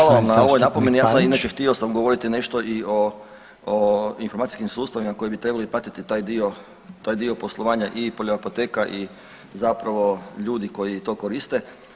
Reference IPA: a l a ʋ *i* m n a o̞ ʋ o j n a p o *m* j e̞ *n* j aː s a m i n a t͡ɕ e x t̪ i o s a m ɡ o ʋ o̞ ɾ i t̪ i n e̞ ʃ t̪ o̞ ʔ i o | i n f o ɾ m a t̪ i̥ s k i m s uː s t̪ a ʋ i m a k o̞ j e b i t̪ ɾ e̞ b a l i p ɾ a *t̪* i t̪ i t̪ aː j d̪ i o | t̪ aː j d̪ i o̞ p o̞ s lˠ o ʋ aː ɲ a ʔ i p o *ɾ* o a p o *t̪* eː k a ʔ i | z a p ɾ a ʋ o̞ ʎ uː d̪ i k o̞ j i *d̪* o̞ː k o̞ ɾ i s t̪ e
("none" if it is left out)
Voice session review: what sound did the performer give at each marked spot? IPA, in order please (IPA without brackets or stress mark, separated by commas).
a, m, n, t̪, ʎ, t̪, t̪